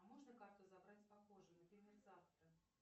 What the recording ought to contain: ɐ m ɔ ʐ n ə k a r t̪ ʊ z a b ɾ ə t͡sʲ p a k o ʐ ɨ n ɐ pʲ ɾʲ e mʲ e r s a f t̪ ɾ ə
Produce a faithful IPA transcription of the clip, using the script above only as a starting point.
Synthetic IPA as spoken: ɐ m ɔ ʐ n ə k a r t̪ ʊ z a b ɾ a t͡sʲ p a x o ʐ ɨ n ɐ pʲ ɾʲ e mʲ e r z a f t̪ ɾ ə